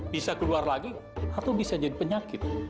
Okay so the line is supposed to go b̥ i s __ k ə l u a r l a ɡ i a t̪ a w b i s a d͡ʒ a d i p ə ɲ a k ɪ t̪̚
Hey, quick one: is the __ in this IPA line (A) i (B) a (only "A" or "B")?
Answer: B